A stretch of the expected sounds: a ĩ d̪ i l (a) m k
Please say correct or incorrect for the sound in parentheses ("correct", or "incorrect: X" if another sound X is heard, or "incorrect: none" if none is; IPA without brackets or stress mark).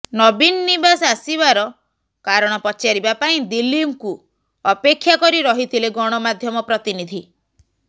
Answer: incorrect: i